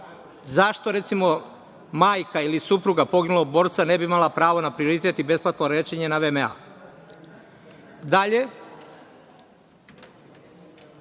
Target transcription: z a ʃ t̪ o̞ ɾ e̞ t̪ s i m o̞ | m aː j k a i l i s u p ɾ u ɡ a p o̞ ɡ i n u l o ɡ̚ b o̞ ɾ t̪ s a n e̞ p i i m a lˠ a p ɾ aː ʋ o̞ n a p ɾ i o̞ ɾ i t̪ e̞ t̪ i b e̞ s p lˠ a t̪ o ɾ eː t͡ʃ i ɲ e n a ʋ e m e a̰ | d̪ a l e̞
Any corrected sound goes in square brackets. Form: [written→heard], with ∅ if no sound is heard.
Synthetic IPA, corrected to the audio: z a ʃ t̪ o̞ ɾ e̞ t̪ s i m o̞ | m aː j k a i l i s u p ɾ u ɡ a p o̞ ɡ i n u l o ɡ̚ b o̞ ɾ t̪ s a n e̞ [p→b] i i m a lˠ a p ɾ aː ʋ o̞ n a p ɾ i o̞ ɾ i t̪ e̞ t̪ i b e̞ s p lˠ a t̪ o ɾ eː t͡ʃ [i→e] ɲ e n a ʋ e m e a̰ | d̪ a [l→ʎ] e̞